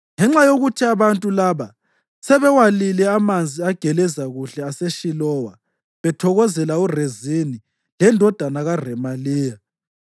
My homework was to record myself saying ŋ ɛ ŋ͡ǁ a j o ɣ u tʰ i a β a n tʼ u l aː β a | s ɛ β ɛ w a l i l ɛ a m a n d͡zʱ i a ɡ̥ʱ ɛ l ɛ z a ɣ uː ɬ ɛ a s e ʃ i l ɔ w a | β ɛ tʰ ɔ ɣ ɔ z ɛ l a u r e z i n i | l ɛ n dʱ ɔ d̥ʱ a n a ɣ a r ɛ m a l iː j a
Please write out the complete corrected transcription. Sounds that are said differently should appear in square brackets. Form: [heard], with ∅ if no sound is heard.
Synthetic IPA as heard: ŋ ɛ ŋ͡ǁ a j o ɣ u tʰ i a β a n tʼ u l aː β a | s ɛ β ɛ w a l i l ɛ a m a n d͡zʱ i a ɡ̥ʱ ɛ l ɛ z a ɣ [u] ɬ ɛ a s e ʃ i l ɔ w a | β ɛ tʰ ɔ ɣ ɔ z ɛ l a u r e z i n i | l ɛ n dʱ ɔ d̥ʱ a n a ɣ a r ɛ m a l iː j a